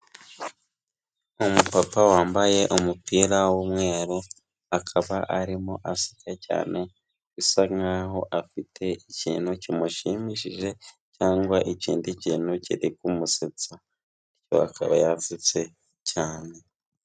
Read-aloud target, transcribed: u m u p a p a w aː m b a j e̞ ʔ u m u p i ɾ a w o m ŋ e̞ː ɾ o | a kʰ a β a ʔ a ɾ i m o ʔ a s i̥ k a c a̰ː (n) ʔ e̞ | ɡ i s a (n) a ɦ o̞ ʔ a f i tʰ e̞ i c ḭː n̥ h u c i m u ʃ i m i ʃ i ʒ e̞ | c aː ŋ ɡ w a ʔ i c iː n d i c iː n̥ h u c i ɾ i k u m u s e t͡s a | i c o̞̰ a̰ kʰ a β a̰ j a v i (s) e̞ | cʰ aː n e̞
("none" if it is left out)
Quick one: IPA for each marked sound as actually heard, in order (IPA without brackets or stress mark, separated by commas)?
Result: n, ŋ, t͡s